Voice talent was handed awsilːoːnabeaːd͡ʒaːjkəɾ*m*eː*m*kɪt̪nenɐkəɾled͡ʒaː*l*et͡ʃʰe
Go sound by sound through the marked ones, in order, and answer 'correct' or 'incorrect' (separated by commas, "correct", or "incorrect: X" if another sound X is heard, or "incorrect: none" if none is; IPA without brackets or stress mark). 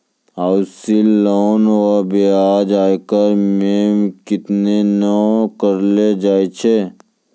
correct, correct, incorrect: none